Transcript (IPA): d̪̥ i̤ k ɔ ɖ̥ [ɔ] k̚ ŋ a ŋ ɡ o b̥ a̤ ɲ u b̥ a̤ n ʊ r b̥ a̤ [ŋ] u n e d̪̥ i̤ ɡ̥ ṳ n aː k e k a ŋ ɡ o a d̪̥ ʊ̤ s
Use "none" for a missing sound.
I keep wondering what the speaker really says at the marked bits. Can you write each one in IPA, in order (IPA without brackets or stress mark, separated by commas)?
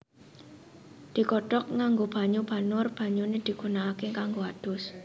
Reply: ɔ, ɲ